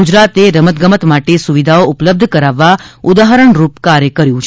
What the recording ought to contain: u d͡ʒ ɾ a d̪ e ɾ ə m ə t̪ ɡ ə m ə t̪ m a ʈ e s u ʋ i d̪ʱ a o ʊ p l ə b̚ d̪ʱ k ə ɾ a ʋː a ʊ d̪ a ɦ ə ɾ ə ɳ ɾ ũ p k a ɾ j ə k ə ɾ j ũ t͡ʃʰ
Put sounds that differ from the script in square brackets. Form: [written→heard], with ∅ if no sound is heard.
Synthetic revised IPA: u d͡ʒ ɾ a [d̪→t̪] e ɾ ə m ə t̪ ɡ ə m ə t̪ m a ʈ e s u ʋ i d̪ʱ a o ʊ p l ə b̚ d̪ʱ k ə ɾ a ʋː a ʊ d̪ a ɦ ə ɾ ə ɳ ɾ [ũ→u] p k a ɾ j ə k ə ɾ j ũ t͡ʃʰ